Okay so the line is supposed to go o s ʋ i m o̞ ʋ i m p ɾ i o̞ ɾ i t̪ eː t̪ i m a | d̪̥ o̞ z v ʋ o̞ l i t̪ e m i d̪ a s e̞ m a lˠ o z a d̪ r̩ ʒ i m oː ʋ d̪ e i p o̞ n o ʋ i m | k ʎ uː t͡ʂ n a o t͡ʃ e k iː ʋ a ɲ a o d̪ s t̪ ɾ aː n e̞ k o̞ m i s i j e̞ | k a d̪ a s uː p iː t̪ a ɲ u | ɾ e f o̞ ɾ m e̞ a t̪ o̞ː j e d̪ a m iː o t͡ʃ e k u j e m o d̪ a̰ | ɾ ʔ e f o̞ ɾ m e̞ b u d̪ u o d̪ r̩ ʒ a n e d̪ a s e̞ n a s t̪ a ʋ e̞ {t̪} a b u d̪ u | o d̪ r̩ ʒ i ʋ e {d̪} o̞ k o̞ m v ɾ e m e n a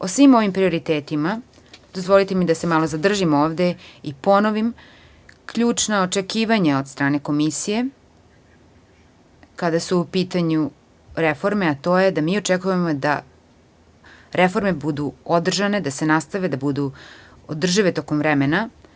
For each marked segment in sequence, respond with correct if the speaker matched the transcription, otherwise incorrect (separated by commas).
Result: incorrect, incorrect